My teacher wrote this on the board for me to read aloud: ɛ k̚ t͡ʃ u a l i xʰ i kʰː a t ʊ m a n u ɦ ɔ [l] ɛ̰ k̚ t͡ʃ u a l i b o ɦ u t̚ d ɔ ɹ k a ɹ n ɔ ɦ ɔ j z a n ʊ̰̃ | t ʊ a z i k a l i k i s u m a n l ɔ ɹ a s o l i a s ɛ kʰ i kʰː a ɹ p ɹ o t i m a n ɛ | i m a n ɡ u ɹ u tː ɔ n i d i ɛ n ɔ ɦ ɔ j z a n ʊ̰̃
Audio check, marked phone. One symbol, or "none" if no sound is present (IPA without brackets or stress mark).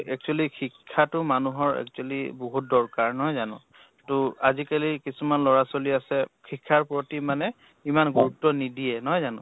ɹ